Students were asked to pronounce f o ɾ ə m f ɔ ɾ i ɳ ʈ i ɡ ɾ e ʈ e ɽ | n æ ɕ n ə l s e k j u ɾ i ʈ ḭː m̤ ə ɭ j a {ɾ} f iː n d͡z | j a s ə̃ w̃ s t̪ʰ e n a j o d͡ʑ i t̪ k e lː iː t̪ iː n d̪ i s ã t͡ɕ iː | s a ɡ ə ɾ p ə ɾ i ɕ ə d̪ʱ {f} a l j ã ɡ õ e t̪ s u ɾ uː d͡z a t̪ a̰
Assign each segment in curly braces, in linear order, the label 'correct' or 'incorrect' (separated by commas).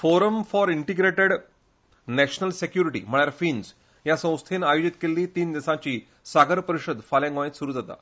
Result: correct, correct